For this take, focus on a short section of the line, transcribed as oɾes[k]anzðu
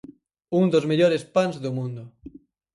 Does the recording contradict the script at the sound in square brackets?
yes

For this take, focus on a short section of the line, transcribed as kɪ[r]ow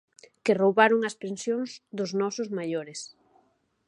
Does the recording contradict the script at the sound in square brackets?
no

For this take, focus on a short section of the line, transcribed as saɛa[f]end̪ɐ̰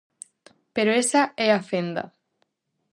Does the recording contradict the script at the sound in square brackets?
no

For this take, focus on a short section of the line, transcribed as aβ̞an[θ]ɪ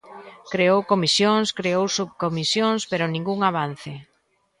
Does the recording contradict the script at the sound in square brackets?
no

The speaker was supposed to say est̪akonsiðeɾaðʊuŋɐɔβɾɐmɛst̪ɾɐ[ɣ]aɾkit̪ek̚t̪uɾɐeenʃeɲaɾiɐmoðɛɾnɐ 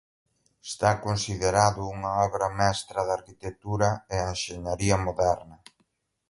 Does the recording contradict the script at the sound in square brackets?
yes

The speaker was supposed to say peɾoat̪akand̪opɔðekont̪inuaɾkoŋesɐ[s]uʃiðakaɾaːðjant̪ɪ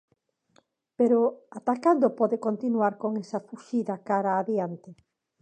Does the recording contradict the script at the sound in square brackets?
yes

